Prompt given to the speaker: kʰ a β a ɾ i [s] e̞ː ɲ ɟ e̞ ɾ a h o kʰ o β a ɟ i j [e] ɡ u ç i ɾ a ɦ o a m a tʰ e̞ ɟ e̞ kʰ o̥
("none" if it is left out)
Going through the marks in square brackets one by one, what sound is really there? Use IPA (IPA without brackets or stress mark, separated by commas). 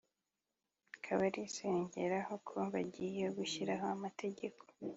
s, e